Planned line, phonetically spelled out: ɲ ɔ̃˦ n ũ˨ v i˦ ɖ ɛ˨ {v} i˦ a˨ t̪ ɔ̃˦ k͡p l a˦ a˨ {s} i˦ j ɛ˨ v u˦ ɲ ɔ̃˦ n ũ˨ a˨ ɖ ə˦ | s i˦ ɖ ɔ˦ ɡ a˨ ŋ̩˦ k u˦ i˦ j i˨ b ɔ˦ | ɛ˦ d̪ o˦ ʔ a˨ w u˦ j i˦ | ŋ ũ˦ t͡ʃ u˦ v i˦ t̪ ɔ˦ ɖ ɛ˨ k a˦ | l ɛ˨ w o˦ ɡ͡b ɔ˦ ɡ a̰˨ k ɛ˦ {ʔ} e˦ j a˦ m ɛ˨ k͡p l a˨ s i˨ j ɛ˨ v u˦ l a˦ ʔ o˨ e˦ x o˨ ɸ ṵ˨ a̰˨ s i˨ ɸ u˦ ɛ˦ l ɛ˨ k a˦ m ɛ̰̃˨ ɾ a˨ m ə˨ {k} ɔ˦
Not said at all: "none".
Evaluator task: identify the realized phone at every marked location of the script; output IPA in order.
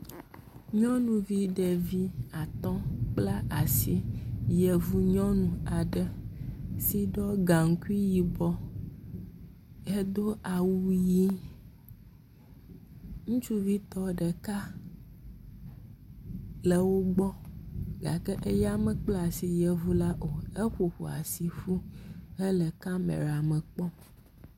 v, s, ʔ, k͡p

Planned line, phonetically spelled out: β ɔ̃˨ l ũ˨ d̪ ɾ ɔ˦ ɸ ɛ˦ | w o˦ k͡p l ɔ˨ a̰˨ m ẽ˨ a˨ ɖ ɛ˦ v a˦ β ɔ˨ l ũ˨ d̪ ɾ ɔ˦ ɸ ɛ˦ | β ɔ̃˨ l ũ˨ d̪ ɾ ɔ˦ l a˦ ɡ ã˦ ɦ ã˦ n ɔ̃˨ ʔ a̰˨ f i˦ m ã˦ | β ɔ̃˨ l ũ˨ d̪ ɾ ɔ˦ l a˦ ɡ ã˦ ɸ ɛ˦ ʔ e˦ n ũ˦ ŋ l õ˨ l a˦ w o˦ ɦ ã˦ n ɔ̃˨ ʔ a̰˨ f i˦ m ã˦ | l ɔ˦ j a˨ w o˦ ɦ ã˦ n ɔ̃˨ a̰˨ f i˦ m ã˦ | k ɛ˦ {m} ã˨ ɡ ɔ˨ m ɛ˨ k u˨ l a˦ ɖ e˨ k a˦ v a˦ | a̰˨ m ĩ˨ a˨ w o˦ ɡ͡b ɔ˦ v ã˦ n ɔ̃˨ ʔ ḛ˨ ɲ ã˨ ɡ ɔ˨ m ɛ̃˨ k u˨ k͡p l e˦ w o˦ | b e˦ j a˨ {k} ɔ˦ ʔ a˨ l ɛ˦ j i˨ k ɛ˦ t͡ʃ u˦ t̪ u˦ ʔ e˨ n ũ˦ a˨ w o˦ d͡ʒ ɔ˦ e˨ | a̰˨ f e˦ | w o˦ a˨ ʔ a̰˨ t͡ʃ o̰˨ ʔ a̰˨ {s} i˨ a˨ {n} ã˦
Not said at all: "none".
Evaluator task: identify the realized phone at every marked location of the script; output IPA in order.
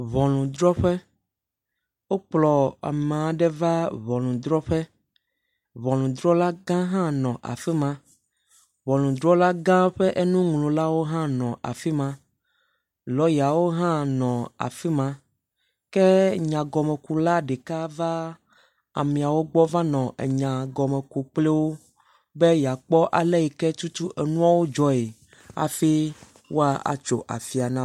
ɲ, k͡p, f, n

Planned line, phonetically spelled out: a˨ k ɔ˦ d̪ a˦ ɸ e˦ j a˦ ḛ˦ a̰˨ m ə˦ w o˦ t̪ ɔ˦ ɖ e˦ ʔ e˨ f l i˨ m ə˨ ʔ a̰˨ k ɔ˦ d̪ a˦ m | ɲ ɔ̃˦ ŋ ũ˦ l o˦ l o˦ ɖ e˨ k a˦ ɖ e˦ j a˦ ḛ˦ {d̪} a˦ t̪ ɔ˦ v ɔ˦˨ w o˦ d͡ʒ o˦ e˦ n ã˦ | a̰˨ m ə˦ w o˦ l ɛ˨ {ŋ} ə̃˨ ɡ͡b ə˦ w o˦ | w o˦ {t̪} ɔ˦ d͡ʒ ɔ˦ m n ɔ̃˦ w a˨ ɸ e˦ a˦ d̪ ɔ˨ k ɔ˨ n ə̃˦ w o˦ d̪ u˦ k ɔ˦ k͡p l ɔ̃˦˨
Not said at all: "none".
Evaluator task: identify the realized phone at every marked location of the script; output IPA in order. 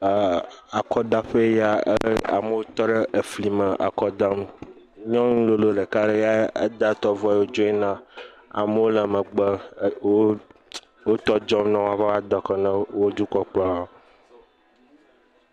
d̪, m, t̪

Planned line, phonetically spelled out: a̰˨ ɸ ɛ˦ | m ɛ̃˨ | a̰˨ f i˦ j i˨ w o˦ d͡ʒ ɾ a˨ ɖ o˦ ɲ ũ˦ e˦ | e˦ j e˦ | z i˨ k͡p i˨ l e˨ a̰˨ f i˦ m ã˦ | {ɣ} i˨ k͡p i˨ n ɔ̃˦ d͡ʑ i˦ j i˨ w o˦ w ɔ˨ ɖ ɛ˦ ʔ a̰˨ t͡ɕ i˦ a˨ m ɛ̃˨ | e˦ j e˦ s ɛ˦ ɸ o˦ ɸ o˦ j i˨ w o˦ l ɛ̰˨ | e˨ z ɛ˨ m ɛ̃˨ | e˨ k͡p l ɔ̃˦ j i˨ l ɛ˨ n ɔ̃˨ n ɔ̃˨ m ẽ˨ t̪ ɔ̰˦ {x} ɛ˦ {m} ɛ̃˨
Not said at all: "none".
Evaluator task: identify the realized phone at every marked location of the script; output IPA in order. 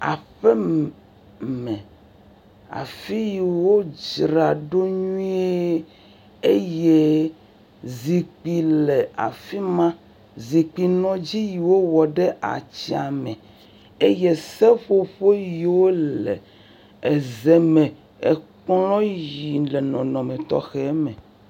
z, x, m

